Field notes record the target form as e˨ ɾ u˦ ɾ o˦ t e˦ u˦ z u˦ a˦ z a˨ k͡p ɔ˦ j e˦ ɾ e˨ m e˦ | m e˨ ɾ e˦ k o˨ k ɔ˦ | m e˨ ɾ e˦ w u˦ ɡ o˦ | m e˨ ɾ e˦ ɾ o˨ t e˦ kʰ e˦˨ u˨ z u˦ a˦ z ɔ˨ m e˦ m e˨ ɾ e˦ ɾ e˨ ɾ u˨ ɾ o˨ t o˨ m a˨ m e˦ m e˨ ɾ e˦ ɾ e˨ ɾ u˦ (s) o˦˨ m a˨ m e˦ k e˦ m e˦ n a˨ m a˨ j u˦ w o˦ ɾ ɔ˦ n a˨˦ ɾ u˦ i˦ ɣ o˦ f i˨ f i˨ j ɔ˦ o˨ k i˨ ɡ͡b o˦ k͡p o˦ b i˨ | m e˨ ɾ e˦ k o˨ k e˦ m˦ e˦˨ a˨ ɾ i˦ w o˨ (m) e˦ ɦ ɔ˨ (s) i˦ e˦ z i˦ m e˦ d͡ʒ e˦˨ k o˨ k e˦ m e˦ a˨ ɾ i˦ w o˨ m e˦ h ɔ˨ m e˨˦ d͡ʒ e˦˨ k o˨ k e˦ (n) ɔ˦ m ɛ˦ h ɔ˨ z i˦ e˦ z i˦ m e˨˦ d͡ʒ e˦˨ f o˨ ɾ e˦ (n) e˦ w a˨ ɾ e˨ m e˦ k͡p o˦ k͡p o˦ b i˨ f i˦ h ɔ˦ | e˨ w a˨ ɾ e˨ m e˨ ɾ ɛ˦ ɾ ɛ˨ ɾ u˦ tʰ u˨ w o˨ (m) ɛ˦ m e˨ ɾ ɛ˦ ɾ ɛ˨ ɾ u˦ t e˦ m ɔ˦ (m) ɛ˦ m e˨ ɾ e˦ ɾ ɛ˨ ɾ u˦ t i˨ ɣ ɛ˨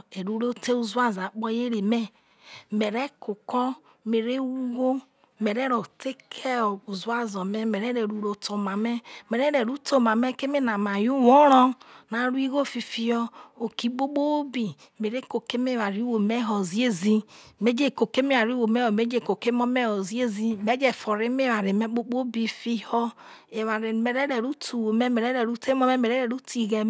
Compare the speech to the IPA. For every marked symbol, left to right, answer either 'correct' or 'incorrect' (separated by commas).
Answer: incorrect, correct, incorrect, incorrect, incorrect, correct, correct